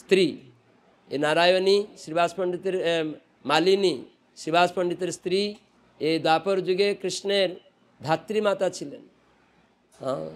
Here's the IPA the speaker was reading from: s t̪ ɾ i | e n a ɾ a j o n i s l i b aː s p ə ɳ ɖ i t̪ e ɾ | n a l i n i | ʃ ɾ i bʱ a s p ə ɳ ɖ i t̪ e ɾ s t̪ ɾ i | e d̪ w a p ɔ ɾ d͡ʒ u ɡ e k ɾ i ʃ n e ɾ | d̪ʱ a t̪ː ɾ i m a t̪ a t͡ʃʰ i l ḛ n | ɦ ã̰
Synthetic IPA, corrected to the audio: s t̪ ɾ i | e n a ɾ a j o n i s ɾ i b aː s p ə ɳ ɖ i t̪ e ɾ | m a l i n i | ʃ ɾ i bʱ a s p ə ɳ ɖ i t̪ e ɾ s t̪ ɾ i | e d̪ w a p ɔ ɾ d͡ʒ u ɡ e k ɾ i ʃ n e ɾ | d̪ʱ a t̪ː ɾ i m a t̪ a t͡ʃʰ i l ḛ n | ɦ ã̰